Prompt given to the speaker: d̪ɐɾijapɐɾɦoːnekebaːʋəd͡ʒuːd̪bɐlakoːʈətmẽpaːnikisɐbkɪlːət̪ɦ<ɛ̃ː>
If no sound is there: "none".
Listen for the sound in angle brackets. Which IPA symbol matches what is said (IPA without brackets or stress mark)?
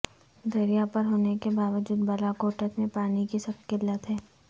ɛː